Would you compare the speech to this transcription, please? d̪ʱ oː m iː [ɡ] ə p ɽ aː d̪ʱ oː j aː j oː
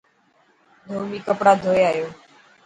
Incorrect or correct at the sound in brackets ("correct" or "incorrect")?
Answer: incorrect